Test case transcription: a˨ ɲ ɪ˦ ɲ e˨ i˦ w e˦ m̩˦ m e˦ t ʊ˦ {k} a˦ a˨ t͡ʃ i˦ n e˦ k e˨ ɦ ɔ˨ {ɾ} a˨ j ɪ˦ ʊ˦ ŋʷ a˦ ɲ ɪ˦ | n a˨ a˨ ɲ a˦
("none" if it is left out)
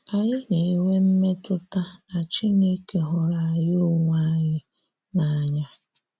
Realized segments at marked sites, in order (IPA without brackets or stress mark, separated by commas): t, ɾ